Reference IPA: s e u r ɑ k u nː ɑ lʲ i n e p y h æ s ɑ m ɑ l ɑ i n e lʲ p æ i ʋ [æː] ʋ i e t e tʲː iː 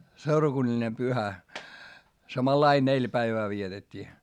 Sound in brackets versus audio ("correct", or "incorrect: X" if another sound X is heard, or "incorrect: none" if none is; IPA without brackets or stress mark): correct